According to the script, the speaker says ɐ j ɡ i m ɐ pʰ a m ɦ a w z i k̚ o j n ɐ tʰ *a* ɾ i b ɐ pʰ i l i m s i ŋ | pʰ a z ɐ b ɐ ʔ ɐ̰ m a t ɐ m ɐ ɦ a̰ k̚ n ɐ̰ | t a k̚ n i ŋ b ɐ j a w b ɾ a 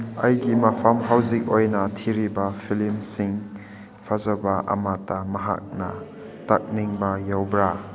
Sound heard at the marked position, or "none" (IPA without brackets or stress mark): i